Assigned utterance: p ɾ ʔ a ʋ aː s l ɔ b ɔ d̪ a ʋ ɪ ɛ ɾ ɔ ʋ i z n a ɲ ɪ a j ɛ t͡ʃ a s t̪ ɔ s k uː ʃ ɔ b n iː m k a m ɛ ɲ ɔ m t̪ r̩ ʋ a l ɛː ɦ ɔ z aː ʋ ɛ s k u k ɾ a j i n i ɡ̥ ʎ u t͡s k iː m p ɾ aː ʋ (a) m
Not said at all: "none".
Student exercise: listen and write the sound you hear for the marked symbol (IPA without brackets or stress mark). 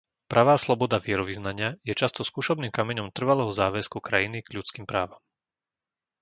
a